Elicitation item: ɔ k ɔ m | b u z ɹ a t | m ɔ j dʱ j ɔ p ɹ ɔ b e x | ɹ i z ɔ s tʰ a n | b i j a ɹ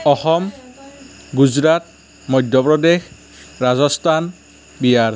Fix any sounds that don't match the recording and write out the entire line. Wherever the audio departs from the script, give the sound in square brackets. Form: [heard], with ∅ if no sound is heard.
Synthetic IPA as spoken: ɔ [x] ɔ m | [ɡ] u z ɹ a t | m ɔ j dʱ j ɔ p ɹ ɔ [d] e x | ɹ [a] z ɔ s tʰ a n | b i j a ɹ